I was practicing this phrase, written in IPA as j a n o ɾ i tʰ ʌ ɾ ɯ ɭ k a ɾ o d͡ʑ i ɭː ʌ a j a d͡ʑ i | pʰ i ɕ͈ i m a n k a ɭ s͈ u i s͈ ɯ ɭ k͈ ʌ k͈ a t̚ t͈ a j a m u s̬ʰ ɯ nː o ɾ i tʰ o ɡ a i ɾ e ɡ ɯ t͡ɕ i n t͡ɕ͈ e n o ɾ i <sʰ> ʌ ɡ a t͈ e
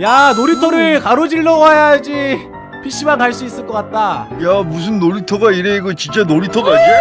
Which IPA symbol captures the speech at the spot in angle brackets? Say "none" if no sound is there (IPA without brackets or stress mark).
tʰ